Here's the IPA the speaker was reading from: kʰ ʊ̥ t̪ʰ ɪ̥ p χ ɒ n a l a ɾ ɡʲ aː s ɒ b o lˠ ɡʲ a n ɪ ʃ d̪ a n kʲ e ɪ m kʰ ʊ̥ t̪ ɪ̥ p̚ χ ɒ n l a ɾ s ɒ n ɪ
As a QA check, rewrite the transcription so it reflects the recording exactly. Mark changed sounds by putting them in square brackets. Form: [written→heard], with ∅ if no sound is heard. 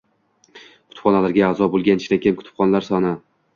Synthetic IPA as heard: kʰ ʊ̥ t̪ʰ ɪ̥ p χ ɒ n a l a ɾ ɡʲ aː [s→z] ɒ b o lˠ ɡʲ a n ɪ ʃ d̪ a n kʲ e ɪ m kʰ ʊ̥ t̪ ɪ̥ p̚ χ ɒ n l a ɾ s ɒ n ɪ

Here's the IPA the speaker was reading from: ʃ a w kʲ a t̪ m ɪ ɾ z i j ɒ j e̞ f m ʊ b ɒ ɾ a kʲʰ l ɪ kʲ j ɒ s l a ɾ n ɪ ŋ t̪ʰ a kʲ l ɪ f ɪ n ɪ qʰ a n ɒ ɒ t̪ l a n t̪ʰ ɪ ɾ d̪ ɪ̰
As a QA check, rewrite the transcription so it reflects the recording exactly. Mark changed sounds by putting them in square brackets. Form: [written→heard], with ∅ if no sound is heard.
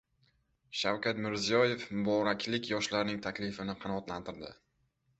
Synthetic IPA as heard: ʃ a w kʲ a t̪ m ɪ ɾ z i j ɒ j e̞ f m ʊ b ɒ ɾ a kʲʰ l ɪ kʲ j ɒ [s→ʃ] l a ɾ n ɪ ŋ t̪ʰ a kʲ l ɪ f ɪ n ɪ qʰ [a→ɑ] n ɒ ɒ t̪ l a n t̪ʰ ɪ ɾ d̪ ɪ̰

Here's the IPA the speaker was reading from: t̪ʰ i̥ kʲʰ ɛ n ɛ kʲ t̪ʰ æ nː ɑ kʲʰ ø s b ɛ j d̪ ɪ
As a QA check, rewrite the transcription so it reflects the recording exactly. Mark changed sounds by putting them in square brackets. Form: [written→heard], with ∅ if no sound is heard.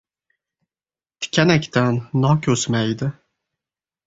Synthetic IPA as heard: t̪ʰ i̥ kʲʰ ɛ n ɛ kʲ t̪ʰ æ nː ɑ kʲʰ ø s [b→m] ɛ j d̪ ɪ

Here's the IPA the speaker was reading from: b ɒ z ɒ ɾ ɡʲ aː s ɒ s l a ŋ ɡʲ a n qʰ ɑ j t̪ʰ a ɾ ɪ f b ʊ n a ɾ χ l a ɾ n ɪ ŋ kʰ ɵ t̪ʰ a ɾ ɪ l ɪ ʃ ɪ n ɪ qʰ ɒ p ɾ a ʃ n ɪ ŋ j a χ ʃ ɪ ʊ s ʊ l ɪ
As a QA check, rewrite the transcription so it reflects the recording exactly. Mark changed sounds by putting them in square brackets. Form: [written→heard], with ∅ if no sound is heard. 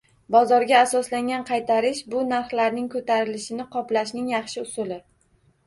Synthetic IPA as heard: b ɒ z ɒ ɾ ɡʲ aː s ɒ s l a ŋ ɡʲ a n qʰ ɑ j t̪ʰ a ɾ ɪ [f→ʃ] b ʊ n a ɾ χ l a ɾ n ɪ ŋ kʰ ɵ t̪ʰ a ɾ ɪ l ɪ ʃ ɪ n ɪ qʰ ɒ p [ɾ→l] a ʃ n ɪ ŋ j [a→ɑ] χ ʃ ɪ ʊ s ʊ l ɪ

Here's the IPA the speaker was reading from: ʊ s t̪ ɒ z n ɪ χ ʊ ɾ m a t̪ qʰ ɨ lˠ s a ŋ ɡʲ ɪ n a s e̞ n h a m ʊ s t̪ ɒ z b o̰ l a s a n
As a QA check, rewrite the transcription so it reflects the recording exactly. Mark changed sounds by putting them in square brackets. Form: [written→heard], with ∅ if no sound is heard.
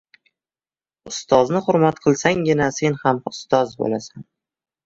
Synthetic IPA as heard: ʊ s t̪ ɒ z n ɪ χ ʊ ɾ m a t̪ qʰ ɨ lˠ s a ŋ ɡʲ ɪ n a s e̞ n h a m ʊ s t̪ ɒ z b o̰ l a s a n

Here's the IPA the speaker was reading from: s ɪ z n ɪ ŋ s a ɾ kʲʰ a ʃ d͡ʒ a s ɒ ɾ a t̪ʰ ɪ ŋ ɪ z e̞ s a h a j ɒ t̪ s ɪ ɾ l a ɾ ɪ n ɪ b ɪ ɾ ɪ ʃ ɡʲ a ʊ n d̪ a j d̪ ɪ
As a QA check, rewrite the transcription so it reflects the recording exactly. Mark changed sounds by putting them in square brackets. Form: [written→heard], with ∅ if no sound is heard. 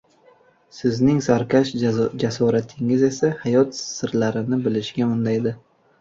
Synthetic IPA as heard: s ɪ z n ɪ ŋ s a ɾ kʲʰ a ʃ d͡ʒ a s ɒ ɾ a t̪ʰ ɪ ŋ ɪ z e̞ s a h a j ɒ t̪ s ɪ ɾ l a ɾ ɪ n ɪ b ɪ [ɾ→l] ɪ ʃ ɡʲ a ʊ n d̪ a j d̪ ɪ

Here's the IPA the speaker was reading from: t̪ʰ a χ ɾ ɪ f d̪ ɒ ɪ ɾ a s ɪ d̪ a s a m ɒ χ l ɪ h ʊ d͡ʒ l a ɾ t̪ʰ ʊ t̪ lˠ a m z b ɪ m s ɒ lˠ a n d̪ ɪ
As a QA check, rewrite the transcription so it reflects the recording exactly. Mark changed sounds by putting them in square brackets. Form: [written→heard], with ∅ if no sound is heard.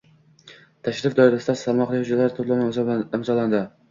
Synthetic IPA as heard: t̪ʰ a [χ→ʃ] ɾ ɪ f d̪ ɒ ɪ ɾ a s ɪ d̪ a s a m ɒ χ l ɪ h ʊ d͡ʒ l a ɾ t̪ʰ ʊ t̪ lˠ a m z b ɪ m [s→z] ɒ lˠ a n d̪ ɪ

